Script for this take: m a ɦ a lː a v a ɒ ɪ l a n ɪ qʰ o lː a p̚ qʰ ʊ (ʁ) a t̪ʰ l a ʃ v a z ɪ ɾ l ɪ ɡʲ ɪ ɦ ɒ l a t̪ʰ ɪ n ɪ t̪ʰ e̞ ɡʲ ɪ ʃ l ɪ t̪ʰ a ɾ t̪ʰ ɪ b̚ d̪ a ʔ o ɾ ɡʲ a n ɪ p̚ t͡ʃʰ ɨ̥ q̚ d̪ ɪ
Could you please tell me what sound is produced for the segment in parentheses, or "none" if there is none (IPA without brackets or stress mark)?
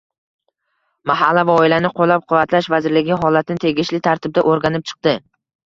v